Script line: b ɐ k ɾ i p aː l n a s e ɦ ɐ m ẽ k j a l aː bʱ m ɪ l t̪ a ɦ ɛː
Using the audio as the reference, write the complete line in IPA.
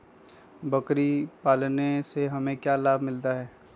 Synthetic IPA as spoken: b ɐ k ɾ i p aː l n e s e ɦ ɐ m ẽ k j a l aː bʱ m ɪ l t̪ a ɦ ɛː